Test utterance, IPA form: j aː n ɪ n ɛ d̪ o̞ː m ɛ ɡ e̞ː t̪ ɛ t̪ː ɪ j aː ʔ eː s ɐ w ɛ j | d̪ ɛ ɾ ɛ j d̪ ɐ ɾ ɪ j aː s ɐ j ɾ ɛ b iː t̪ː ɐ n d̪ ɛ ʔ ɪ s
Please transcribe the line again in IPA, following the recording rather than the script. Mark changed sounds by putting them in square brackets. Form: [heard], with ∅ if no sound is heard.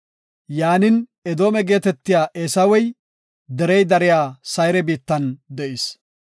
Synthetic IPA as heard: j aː n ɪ n ɛ d̪ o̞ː m ɛ ɡ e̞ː t̪ ɛ t̪ː ɪ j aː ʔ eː s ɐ w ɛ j | d̪ ɛ ɾ ɛ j d̪ ɐ ɾ ɪ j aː s ɐ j ɾ ɛ b iː t̪ː ɐ n d̪ ɛ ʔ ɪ s